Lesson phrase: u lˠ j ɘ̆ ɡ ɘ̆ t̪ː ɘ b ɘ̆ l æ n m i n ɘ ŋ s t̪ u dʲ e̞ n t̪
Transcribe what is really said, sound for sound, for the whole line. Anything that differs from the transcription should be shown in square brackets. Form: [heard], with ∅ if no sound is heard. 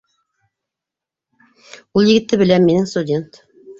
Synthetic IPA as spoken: u lˠ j ɘ̆ ɡ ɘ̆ t̪ː ɘ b ɘ̆ l æ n m i n ɘ ŋ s t̪ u dʲ e̞ n t̪